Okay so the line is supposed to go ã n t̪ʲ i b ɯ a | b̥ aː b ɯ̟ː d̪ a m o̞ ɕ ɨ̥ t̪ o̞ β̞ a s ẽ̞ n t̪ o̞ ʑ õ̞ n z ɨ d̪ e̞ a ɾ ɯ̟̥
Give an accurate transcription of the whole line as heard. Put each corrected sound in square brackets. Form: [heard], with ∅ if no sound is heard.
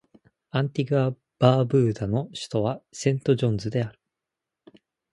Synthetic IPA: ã n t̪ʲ i [ɡ] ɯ a | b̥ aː b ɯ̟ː d̪ a [n] o̞ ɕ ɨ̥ t̪ o̞ β̞ a s ẽ̞ n t̪ o̞ ʑ õ̞ n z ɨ d̪ e̞ a ɾ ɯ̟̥